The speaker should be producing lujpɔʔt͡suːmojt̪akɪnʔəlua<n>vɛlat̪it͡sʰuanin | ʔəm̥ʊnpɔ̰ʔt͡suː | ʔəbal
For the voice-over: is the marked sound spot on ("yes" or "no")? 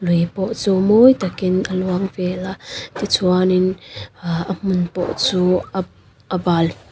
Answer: no